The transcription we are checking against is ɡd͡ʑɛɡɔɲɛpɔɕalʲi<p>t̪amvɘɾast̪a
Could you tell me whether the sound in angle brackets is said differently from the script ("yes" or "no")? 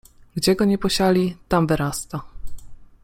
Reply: yes